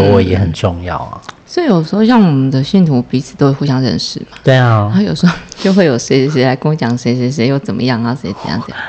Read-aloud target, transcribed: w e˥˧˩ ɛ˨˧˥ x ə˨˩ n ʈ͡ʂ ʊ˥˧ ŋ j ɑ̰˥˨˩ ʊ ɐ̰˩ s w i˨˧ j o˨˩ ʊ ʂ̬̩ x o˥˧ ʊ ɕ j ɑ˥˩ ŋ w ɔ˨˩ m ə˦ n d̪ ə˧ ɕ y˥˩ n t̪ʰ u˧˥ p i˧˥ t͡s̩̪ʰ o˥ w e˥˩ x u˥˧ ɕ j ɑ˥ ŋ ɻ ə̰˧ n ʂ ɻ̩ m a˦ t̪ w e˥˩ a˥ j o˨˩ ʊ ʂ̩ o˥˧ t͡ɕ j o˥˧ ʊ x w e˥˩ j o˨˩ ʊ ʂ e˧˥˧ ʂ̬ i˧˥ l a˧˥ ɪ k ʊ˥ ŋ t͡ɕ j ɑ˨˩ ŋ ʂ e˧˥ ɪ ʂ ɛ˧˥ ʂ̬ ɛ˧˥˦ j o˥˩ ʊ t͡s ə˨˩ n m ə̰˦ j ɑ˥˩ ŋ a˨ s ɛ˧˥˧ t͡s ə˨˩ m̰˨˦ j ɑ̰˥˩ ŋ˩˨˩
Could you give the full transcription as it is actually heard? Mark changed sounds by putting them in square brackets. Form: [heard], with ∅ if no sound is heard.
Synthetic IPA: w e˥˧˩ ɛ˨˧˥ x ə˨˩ n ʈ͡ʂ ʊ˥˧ ŋ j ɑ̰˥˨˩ ʊ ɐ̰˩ s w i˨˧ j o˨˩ ʊ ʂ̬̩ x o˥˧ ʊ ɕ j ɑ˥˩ ŋ w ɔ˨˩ m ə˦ n d̪ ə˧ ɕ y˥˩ n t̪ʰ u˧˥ p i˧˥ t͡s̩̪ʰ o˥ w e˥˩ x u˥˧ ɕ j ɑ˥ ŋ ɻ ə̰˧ n ʂ ɻ̩ m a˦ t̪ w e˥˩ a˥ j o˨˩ ʊ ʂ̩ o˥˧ t͡ɕ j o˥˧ ʊ x w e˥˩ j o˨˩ ʊ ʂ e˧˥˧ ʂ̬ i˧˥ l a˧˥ ɪ k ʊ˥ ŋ t͡ɕ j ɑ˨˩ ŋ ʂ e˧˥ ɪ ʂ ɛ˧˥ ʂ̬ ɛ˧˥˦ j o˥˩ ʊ t͡s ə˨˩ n m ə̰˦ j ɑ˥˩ ŋ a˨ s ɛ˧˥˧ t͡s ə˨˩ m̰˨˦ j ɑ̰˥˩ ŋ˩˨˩